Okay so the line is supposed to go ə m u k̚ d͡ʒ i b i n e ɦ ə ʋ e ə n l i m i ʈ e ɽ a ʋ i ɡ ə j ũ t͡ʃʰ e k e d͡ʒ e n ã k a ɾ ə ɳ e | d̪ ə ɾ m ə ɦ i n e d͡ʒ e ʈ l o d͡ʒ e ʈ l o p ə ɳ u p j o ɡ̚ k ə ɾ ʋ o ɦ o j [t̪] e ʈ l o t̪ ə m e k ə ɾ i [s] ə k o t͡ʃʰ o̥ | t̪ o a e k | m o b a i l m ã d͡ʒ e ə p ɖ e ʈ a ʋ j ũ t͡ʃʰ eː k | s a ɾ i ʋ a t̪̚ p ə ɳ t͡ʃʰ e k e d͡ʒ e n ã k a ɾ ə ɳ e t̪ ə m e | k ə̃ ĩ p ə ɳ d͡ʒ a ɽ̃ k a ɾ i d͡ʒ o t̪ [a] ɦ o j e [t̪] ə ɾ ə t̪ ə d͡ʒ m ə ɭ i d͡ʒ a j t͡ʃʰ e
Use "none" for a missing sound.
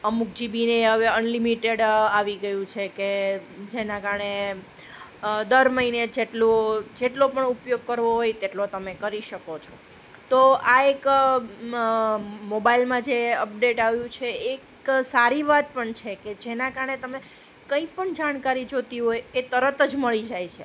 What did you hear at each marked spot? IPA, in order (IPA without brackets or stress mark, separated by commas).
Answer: t̪, ʃ, i, t̪